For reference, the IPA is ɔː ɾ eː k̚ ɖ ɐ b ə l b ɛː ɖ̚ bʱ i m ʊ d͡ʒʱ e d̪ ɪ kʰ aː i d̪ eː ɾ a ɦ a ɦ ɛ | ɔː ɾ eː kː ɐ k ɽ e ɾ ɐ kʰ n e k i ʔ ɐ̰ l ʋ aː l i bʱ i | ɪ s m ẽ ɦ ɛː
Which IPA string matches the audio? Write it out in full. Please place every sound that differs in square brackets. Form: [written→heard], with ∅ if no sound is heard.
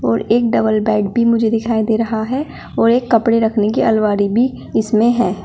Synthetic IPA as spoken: ɔː ɾ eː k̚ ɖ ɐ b ə l b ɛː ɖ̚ bʱ i m ʊ d͡ʒʱ e d̪ ɪ kʰ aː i d̪ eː ɾ [a→ɐ] ɦ a ɦ ɛ | ɔː ɾ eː kː ɐ [k→p] ɽ e ɾ ɐ kʰ n e k i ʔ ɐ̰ l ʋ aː [l→ɾ] i bʱ i | ɪ s m ẽ ɦ ɛː